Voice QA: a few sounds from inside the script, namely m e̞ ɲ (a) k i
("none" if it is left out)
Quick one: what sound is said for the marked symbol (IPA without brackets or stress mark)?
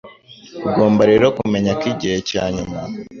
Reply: a